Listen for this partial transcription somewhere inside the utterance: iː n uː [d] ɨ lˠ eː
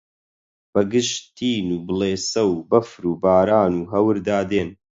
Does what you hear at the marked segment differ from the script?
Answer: yes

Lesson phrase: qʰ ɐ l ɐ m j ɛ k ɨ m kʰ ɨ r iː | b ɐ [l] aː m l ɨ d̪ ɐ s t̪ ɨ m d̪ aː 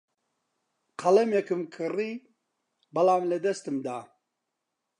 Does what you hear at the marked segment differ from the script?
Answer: no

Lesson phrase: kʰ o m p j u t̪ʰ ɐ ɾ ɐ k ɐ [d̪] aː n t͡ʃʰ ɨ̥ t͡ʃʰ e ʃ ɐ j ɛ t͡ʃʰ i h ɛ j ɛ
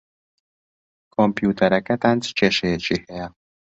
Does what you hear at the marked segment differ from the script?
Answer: yes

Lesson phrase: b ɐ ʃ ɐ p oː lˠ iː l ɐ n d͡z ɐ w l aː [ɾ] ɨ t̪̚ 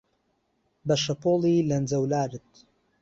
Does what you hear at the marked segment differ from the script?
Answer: no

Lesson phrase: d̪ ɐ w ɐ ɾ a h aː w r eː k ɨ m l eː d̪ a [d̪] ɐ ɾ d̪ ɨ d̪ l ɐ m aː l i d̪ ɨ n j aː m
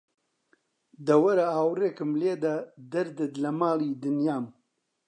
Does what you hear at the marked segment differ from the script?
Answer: no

